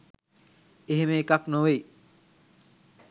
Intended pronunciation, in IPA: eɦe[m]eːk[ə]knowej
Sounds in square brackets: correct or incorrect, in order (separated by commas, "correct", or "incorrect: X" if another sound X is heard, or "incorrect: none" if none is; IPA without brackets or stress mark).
correct, incorrect: a